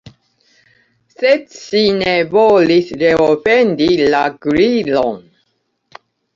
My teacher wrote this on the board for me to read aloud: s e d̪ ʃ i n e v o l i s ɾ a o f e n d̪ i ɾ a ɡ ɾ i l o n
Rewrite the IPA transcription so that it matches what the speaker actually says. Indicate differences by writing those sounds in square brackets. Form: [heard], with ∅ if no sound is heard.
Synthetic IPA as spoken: s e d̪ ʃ i n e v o l i s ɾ [e] o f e n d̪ i [l] a ɡ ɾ i l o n